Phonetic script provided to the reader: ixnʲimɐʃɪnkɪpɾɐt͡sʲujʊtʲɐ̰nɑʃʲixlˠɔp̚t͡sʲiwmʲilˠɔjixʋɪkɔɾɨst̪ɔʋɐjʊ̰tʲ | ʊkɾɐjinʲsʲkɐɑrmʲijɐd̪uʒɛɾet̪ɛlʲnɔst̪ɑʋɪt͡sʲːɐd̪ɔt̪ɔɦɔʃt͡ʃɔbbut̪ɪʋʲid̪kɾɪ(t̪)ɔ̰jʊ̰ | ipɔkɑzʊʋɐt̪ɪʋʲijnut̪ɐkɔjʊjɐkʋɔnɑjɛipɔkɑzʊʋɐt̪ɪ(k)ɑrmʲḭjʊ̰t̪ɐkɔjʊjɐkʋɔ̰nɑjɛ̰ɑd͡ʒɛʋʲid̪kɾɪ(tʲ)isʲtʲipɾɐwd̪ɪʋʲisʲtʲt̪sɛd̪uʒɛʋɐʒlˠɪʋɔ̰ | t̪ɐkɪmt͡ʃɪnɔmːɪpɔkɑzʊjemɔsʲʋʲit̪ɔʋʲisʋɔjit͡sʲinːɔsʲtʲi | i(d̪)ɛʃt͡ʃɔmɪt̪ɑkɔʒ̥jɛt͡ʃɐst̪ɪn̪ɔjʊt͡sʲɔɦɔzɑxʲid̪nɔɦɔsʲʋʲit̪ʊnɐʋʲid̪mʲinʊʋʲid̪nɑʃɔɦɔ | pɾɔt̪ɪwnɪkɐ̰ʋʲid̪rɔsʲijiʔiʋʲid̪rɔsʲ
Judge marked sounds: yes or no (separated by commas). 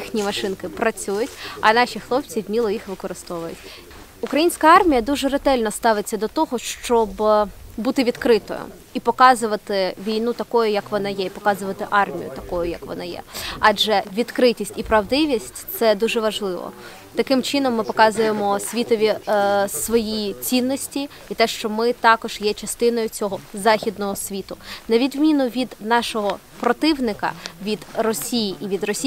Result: yes, no, yes, no